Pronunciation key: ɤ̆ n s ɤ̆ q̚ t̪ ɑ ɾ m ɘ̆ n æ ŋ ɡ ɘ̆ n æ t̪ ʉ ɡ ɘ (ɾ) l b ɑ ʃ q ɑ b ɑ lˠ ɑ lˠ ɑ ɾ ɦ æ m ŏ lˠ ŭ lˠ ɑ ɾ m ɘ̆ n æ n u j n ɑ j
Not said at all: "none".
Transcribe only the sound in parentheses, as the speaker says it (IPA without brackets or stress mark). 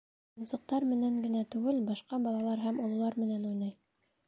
none